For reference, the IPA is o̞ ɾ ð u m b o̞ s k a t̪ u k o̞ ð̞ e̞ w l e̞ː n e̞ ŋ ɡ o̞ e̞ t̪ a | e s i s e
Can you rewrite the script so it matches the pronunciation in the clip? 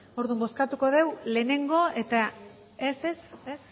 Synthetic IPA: o̞ ɾ ð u m b o̞ s k a t̪ u k o̞ ð̞ e̞ w l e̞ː n e̞ ŋ ɡ o̞ e̞ t̪ a | e s e s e